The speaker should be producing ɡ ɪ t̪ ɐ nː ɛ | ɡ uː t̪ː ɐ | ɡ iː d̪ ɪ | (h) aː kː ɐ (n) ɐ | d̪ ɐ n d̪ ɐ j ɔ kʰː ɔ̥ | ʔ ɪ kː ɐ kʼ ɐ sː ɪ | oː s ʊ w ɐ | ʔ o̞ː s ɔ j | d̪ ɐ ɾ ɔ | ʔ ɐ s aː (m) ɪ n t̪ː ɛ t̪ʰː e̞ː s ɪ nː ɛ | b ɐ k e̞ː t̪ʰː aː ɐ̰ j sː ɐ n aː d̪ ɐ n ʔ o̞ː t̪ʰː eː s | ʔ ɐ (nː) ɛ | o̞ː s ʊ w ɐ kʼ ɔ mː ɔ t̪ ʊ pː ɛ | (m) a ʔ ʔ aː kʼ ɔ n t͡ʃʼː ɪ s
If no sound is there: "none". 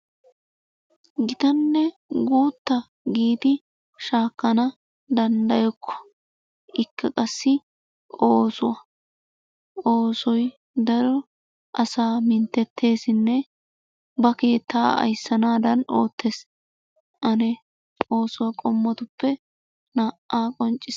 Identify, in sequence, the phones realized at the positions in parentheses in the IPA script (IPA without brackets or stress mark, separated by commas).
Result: ʃ, n, m, n, n